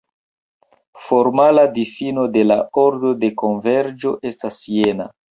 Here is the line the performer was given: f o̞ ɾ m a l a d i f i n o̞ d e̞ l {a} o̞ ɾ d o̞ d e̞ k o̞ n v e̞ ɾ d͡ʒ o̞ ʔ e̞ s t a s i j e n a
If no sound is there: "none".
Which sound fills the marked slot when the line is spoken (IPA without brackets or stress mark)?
a